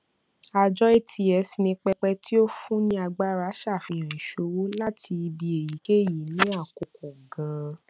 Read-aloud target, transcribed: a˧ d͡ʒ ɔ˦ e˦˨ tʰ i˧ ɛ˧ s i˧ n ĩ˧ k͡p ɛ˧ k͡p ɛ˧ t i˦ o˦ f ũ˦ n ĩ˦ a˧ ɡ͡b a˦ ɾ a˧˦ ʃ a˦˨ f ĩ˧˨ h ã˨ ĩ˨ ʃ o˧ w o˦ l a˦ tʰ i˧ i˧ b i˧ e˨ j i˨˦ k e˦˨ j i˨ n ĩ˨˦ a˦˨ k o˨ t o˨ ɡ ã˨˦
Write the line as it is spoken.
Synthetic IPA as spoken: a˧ d͡ʒ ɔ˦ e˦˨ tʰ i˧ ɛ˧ s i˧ n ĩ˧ k͡p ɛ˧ k͡p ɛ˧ t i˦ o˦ f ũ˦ n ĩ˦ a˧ ɡ͡b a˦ ɾ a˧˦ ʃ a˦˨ f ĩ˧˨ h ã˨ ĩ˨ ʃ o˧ w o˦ l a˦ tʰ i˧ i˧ b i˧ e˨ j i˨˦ k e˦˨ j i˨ n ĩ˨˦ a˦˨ k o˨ k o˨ ɡ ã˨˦